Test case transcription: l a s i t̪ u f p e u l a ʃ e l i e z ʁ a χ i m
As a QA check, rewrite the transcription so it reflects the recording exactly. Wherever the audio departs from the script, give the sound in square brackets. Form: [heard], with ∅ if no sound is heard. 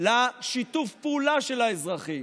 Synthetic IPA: l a [ʃ] i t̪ u f p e u l a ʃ e l [a] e z ʁ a χ i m